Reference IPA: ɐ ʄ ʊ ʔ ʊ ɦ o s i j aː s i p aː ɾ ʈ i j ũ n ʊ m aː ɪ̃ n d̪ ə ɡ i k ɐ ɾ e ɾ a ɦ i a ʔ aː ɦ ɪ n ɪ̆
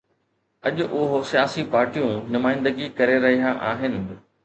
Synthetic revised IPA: ɐ ʄ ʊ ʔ ʊ ɦ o s i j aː s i p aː ɾ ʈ i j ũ n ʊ m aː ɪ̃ n d̪ ə ɡ i k ɐ ɾ e ɾ ɐ ɦ i a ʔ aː ɦ ɪ n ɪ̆